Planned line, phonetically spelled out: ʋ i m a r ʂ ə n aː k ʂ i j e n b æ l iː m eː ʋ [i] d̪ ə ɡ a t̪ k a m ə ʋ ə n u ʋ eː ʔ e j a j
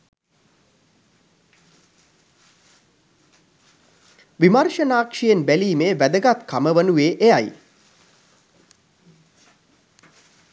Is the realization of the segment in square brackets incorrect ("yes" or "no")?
yes